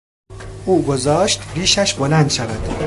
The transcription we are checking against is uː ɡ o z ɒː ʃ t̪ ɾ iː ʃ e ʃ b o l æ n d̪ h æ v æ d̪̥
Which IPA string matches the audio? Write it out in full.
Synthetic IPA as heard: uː ɡ o z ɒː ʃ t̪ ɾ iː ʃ æ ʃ b o l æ n d̪ ʃ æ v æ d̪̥